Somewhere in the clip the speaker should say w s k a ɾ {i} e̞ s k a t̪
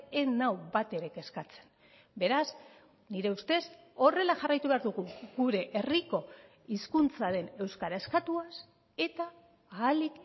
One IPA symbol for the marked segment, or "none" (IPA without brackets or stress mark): a